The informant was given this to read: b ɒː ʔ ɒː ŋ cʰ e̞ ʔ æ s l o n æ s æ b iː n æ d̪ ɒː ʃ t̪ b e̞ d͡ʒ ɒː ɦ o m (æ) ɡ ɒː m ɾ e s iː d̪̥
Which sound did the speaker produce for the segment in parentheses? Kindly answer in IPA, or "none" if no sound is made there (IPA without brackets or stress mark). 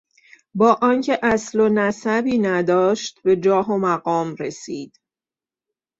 æ